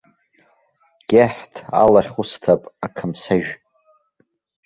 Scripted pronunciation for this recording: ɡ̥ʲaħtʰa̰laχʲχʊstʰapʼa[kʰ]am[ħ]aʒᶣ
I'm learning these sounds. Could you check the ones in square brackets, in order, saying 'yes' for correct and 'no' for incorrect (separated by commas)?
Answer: yes, no